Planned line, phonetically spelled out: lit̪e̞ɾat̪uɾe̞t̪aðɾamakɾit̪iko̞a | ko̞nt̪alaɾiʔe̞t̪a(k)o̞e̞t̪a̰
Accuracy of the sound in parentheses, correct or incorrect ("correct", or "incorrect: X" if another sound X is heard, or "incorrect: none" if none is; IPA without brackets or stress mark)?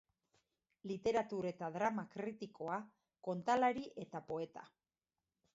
incorrect: p